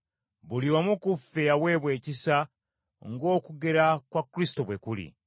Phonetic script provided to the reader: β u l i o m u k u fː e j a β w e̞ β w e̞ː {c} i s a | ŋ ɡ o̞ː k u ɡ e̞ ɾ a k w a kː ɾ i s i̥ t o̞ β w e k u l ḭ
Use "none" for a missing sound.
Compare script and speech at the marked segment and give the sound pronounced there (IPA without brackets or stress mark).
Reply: c